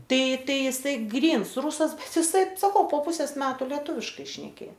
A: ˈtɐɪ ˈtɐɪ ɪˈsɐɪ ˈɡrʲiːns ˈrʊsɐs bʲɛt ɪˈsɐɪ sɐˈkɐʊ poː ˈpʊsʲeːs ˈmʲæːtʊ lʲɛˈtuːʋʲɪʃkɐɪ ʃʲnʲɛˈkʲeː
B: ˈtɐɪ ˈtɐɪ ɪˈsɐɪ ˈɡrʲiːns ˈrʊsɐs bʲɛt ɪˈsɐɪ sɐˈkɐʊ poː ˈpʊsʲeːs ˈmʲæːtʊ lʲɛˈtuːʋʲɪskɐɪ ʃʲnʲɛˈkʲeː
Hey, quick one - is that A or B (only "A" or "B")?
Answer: A